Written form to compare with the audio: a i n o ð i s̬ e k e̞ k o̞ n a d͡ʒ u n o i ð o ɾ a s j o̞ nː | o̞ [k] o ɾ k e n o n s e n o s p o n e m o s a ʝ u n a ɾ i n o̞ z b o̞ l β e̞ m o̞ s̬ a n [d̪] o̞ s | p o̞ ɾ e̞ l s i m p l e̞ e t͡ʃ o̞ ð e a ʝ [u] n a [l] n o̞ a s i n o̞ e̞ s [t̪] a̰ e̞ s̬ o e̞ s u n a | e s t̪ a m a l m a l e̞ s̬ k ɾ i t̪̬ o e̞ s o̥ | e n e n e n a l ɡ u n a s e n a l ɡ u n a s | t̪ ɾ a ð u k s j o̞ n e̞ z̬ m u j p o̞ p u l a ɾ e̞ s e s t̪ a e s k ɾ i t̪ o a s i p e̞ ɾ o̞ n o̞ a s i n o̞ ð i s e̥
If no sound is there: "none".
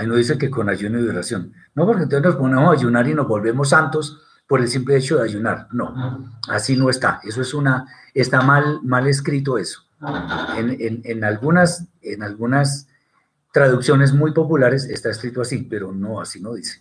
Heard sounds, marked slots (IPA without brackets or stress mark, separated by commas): p, t̪, u, ɾ, t̪